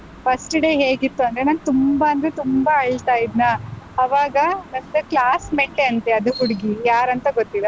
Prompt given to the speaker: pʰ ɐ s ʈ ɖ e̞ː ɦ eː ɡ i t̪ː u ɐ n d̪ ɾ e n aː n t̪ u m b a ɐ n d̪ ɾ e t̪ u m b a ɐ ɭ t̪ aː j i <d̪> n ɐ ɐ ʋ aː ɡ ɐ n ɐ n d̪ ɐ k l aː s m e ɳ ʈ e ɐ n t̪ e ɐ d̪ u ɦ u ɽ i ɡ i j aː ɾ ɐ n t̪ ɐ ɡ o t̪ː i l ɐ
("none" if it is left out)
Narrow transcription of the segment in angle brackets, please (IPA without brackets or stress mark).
d̪